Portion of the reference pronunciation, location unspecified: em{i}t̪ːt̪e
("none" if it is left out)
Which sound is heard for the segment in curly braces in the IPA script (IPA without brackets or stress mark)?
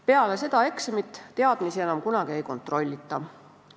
i